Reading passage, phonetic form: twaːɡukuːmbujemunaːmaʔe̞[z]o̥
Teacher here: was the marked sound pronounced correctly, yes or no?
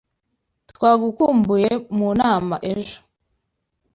no